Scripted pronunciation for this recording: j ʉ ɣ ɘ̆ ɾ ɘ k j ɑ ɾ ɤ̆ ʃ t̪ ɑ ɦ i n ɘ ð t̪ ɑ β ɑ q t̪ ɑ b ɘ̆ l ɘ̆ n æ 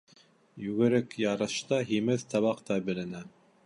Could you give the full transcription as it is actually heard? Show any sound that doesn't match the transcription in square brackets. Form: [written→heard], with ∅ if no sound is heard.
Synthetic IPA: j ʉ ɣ ɘ̆ ɾ ɘ k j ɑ ɾ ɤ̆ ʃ t̪ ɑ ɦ i [n→m] ɘ ð t̪ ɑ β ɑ q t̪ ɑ b ɘ̆ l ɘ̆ n æ